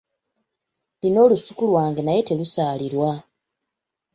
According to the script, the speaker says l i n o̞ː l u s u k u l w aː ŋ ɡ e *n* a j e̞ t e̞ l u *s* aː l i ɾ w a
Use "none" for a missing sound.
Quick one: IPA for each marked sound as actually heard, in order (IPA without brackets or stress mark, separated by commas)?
n, s